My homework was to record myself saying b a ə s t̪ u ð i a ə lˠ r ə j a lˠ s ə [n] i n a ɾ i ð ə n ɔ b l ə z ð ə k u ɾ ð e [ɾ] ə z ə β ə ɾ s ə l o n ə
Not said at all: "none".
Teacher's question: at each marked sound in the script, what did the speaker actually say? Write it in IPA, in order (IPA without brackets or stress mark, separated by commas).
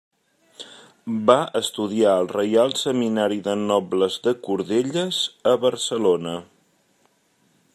m, ʎ